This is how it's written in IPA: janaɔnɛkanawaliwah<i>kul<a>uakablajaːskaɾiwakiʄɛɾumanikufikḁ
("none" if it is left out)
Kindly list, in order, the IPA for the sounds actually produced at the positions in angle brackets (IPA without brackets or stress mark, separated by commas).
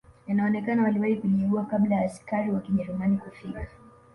i, i